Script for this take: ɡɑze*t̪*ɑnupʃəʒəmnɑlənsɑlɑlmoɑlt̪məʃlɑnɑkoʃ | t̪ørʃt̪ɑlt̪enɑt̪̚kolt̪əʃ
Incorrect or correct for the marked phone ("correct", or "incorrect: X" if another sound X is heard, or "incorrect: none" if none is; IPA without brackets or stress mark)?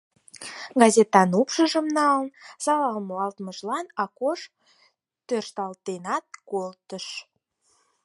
correct